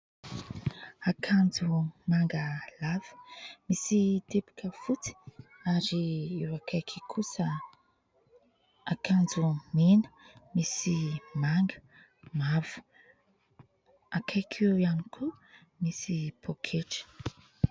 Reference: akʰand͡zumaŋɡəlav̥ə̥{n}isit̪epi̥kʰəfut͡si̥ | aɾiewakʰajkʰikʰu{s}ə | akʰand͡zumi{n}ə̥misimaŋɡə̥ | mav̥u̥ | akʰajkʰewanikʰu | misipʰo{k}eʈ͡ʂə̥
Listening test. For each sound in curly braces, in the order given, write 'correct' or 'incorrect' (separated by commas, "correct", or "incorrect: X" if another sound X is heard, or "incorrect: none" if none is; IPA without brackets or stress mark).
incorrect: m, correct, correct, incorrect: kʰ